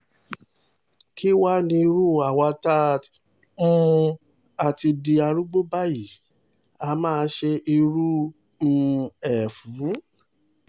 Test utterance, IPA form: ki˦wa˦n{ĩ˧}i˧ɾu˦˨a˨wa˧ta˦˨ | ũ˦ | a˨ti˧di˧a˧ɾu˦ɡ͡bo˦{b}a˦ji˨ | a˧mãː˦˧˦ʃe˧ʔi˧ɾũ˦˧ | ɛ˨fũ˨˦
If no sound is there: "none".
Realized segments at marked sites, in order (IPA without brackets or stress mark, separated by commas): ĩ˧, b